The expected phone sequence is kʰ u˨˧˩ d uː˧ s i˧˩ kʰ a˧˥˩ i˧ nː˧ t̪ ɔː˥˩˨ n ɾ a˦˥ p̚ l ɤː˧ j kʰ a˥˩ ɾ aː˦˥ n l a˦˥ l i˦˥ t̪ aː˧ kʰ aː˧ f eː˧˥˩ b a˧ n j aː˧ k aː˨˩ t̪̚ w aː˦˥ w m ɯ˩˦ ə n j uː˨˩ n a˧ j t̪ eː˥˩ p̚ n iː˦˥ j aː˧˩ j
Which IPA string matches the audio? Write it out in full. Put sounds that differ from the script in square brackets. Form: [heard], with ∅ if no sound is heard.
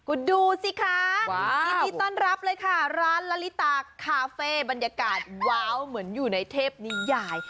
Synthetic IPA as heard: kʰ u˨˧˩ d uː˧ s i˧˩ kʰ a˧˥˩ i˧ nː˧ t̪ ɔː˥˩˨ n ɾ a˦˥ p̚ l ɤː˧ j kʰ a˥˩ ɾ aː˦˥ n l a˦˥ l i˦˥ t̪ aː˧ kʰ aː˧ f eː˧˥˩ b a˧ n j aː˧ k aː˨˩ t̪̚ w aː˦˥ w m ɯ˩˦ ə n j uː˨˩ n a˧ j [t̪ʰ] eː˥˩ p̚ n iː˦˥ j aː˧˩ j